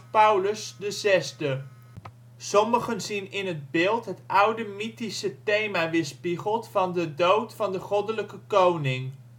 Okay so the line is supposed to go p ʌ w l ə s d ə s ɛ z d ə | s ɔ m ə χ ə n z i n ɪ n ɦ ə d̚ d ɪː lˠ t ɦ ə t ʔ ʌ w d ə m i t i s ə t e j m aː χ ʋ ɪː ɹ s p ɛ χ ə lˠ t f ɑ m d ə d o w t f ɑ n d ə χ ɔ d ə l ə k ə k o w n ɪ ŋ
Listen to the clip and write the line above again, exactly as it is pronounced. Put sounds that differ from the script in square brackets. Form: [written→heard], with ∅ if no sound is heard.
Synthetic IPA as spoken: p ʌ w l ə s d ə [s→z] ɛ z d ə | s ɔ m ə χ ə n z i n ɪ n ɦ ə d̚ [d→b] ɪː lˠ t ɦ ə t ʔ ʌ w d ə m i t i s ə t e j m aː [χ→∅] ʋ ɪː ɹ s p [ɛ→i] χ ə lˠ t f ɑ [m→n] d ə d o w t f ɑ n d ə χ ɔ d ə l ə k ə k o w n ɪ ŋ